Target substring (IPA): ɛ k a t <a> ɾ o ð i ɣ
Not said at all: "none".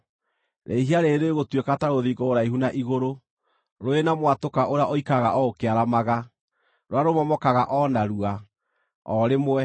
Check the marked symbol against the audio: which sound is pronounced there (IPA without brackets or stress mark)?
a